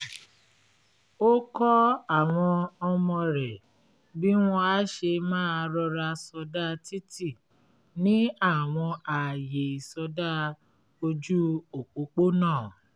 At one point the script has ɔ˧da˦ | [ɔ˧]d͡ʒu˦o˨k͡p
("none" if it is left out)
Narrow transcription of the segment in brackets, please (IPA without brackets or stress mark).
o˧